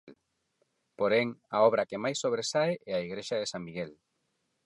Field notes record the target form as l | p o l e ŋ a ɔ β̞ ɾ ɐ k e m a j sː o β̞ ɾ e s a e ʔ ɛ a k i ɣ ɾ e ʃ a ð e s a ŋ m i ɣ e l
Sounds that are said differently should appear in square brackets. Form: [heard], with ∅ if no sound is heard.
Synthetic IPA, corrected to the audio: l | p o [ɾ] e ŋ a ɔ β̞ ɾ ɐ k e m a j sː o β̞ ɾ e s a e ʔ ɛ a [∅] i ɣ ɾ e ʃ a ð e s a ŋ m i ɣ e l